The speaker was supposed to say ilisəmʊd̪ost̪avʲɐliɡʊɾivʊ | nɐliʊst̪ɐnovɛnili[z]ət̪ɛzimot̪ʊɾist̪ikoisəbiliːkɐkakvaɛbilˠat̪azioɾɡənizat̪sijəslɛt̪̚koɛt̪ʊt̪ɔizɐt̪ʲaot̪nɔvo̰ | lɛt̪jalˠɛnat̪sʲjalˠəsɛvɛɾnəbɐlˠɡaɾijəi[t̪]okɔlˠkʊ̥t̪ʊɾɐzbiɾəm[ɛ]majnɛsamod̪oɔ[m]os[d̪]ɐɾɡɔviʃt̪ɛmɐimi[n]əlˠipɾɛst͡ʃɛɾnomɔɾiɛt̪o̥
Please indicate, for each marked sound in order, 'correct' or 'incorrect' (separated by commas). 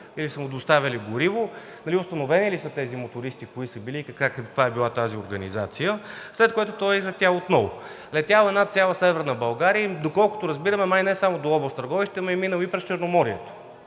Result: incorrect, incorrect, correct, incorrect, incorrect, correct